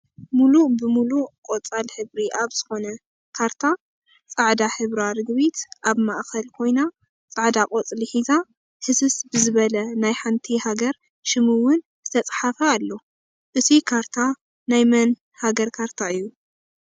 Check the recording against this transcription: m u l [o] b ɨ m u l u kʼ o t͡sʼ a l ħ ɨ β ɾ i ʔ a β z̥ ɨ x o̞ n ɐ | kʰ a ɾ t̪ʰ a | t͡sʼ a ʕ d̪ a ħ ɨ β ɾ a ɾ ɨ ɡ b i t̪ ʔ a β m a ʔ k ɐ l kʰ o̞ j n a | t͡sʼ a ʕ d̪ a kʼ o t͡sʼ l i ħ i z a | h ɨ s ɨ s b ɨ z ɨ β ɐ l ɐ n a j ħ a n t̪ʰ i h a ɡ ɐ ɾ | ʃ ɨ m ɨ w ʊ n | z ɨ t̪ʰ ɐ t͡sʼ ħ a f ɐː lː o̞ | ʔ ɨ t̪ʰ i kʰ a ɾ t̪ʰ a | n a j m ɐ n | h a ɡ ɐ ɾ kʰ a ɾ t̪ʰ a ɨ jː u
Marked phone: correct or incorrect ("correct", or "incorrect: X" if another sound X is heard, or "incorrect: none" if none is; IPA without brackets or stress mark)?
incorrect: u